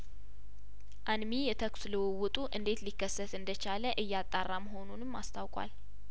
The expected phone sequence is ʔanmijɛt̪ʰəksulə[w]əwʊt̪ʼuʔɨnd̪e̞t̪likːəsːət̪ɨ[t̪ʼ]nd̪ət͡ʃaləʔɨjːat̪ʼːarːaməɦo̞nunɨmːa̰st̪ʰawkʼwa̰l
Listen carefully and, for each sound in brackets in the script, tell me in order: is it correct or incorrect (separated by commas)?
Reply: correct, incorrect